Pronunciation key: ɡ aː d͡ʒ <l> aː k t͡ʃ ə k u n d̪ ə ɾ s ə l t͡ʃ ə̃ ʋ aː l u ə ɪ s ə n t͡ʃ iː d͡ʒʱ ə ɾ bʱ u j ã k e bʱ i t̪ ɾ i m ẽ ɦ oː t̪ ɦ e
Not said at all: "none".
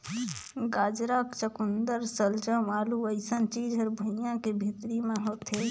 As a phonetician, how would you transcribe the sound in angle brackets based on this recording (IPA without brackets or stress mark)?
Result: ɾ